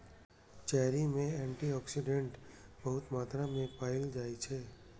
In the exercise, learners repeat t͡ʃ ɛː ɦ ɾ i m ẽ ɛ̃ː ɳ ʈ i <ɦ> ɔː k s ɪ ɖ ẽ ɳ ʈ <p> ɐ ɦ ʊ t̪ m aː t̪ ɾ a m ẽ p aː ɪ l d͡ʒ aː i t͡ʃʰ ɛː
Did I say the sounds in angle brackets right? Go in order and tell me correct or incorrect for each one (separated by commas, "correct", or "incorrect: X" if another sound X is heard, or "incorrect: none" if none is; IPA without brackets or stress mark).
incorrect: none, incorrect: b